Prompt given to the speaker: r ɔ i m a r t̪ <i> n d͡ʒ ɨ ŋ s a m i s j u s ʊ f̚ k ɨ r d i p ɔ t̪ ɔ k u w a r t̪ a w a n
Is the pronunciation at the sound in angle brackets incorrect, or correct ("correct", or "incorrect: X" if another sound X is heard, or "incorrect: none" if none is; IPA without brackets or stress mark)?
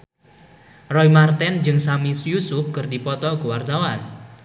incorrect: ɛ